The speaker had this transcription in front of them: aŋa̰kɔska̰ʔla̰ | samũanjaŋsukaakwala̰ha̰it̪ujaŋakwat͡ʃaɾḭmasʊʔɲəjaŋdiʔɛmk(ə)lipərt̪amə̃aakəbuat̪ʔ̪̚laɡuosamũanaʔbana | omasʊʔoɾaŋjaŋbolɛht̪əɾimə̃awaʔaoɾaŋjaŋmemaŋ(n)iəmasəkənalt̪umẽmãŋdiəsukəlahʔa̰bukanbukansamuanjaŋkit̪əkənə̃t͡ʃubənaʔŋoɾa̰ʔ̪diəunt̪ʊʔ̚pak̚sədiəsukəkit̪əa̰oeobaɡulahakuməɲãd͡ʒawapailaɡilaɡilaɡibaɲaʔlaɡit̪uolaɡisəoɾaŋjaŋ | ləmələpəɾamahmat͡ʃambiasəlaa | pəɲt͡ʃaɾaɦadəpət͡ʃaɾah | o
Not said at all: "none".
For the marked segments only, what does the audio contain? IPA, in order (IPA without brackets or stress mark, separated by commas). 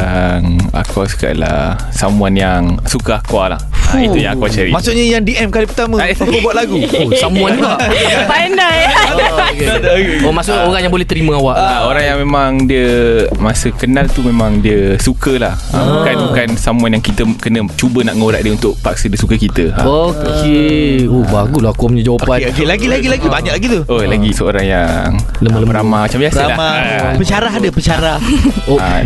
a, d